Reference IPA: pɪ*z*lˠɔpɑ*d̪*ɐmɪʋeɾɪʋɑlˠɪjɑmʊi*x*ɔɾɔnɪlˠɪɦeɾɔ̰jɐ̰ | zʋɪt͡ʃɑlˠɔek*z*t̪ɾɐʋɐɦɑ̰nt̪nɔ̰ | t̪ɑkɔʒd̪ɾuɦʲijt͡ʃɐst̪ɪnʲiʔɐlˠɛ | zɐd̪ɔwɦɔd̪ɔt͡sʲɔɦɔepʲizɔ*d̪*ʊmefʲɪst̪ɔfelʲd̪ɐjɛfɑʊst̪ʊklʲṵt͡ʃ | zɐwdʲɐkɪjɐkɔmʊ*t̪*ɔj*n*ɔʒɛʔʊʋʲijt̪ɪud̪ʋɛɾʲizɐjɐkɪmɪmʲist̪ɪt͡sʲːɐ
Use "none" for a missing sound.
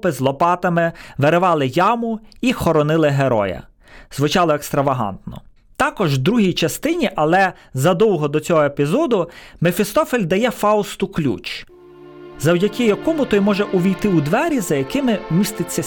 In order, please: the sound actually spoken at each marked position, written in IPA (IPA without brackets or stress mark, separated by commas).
z, t̪, x, s, d̪, t̪, m